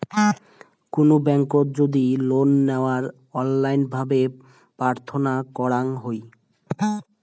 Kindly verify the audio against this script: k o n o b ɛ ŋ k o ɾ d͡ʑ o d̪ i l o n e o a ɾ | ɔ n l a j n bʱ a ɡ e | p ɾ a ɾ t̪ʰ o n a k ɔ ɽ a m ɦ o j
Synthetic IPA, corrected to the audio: k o n o b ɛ ŋ k o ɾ d͡ʑ o d̪ i l o nː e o a ɾ | ɔ n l a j n bʱ a b e | p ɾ a ɾ t̪ʰ o n a k ɔ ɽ a ŋ ɦ o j